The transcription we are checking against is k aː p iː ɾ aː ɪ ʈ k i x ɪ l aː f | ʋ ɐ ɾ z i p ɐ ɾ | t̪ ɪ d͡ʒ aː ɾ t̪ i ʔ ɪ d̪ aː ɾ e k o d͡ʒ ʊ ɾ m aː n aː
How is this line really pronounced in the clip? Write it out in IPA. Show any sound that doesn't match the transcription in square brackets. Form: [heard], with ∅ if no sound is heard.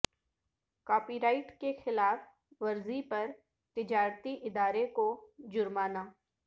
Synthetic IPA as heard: k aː p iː ɾ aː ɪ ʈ k [e] x ɪ l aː f | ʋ ɐ ɾ z i p ɐ ɾ | t̪ ɪ d͡ʒ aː ɾ t̪ i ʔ ɪ d̪ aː ɾ e k o d͡ʒ ʊ ɾ m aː n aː